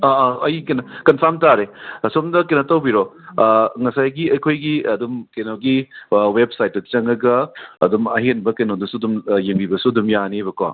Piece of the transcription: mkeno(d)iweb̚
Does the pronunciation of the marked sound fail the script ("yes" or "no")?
yes